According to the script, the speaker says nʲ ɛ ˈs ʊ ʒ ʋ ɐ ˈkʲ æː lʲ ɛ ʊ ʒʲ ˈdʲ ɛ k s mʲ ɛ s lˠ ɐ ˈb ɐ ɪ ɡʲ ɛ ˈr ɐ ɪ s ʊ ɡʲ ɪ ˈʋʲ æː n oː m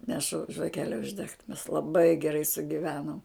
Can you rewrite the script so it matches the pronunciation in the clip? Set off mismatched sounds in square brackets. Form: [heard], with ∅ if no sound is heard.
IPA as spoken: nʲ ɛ [ˈʃ] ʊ ʒ ʋ ɐ ˈkʲ æː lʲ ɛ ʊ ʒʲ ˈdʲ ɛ k [t] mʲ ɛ s lˠ ɐ ˈb ɐ ɪ ɡʲ ɛ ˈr ɐ ɪ s ʊ ɡʲ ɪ ˈʋʲ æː n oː m